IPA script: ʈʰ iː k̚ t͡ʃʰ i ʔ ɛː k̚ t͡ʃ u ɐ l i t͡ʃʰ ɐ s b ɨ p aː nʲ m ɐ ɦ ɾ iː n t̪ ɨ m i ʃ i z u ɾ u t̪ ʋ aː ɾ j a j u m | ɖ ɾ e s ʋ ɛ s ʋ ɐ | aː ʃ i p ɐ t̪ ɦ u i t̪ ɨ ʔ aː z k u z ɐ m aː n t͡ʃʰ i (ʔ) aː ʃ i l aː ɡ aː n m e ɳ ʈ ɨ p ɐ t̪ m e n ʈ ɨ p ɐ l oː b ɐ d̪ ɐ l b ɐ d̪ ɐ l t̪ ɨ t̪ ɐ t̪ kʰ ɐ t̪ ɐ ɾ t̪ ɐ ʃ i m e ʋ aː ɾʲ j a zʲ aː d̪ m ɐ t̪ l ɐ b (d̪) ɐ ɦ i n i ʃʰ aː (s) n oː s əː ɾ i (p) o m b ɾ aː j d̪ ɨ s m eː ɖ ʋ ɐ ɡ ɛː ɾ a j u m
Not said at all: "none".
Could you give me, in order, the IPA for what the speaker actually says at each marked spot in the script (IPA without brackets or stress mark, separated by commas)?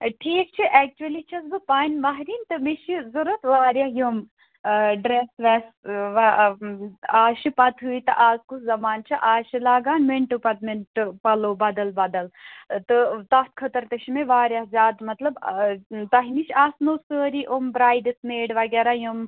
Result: ʔ, t̪, s, ʔ